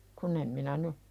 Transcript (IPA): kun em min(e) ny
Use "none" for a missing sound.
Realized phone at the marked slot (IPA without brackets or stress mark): æ